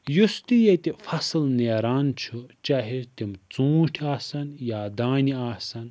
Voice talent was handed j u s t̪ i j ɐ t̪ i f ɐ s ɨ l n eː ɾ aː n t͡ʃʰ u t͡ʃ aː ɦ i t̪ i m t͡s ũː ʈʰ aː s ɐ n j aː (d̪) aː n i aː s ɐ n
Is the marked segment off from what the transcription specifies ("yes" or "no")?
no